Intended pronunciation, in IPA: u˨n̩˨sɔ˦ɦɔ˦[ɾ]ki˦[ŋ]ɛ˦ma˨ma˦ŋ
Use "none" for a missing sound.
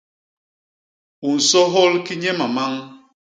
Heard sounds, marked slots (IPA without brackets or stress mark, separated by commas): l, ɲ